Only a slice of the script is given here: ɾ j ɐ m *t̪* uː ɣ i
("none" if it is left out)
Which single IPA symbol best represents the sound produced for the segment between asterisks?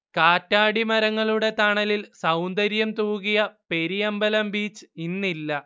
t̪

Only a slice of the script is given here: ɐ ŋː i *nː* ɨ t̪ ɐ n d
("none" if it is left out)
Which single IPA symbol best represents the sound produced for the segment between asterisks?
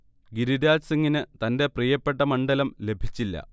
n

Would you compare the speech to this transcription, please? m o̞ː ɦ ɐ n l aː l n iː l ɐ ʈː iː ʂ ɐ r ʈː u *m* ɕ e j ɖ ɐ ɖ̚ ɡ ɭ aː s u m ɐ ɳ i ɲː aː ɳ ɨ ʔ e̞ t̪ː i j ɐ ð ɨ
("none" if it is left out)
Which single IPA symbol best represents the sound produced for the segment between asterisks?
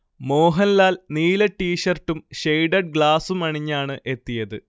m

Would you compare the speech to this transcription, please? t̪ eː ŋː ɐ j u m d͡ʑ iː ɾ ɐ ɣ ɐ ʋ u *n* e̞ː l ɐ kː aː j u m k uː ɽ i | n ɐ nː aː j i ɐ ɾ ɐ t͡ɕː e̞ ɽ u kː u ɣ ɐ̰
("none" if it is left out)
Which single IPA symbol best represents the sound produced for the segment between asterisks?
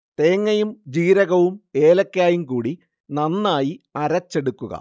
m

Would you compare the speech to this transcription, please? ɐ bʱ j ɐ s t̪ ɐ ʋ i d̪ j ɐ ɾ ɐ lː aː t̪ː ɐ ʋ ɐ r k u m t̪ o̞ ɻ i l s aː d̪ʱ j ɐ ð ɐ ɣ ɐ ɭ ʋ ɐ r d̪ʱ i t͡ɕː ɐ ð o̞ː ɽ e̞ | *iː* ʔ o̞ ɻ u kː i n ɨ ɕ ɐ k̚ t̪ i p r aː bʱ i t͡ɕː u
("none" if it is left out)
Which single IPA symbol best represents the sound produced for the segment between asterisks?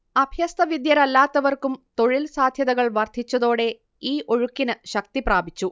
iː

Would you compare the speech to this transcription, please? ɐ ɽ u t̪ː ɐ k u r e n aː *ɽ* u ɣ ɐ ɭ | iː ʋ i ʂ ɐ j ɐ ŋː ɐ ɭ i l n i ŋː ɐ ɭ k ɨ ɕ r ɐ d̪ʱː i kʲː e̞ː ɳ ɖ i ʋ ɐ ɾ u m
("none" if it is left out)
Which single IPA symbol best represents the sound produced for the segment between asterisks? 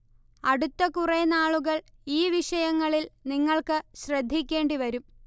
ɭ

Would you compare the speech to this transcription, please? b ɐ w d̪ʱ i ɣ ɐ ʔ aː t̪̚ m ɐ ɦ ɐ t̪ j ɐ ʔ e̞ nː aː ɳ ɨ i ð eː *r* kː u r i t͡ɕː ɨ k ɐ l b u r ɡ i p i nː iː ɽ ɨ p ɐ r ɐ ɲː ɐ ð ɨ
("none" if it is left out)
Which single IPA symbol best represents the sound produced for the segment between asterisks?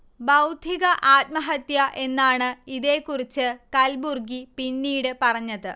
none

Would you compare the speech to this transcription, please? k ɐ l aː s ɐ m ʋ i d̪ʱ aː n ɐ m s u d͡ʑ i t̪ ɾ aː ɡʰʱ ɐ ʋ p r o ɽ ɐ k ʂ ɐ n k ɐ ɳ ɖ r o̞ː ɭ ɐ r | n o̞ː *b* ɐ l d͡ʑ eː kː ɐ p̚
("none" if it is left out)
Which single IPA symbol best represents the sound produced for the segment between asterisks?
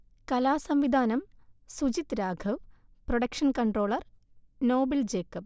b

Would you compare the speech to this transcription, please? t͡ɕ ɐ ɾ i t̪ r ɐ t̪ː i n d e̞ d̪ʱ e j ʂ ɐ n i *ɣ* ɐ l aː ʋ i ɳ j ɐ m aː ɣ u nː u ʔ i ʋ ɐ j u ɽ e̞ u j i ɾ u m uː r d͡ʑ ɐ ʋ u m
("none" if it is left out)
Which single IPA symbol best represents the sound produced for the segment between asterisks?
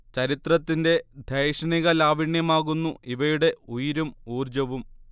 ɣ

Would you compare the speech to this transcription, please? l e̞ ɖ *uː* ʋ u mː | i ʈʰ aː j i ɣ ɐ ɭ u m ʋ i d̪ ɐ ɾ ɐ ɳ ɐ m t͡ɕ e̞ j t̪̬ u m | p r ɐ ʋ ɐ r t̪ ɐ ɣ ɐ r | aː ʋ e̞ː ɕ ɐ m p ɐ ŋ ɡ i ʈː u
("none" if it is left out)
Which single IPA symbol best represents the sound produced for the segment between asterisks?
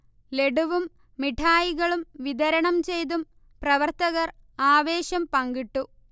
u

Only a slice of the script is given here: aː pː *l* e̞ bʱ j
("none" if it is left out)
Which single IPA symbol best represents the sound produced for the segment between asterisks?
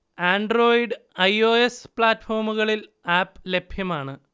l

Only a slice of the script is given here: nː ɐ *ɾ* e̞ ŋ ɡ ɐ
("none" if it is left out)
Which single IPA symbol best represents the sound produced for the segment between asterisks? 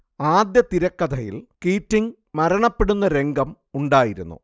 ɾ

